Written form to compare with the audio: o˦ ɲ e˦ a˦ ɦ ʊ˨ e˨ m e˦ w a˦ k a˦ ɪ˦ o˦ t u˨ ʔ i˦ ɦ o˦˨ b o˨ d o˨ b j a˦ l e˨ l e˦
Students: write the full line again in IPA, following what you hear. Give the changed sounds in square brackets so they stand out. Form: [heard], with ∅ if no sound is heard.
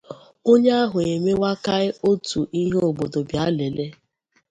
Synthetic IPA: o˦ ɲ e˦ a˦ ɦ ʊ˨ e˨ m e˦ w a˦ k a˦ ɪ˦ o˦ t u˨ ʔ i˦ ɦ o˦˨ b o˨ d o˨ b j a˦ l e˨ l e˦